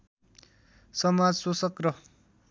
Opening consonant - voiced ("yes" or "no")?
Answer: no